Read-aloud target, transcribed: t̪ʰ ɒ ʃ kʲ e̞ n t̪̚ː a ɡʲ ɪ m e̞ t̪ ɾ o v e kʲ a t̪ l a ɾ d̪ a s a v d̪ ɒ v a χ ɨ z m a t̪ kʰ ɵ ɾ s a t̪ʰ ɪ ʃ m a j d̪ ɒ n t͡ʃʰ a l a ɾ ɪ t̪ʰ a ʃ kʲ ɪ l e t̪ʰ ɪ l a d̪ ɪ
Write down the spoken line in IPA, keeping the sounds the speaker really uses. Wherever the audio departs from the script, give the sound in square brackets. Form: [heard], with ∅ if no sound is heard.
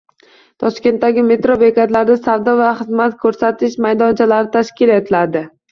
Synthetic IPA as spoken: t̪ʰ ɒ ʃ kʲ e̞ n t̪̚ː a ɡʲ ɪ m e̞ t̪ ɾ o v e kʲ a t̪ l a ɾ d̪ a s a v d̪ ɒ v a χ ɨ z m a t̪ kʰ ɵ ɾ s a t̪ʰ ɪ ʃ m a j d̪ ɒ n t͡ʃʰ a l a ɾ ɪ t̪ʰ a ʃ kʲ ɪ l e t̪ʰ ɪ l a d̪ ɪ

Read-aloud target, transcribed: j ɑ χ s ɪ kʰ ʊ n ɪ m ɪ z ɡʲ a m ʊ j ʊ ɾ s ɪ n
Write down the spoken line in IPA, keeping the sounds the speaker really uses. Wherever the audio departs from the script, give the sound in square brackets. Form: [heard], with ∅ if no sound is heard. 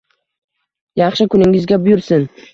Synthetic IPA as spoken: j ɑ χ [ʃ] ɪ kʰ ʊ n ɪ [ŋ] ɪ z ɡʲ a [b] ʊ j ʊ ɾ s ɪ n

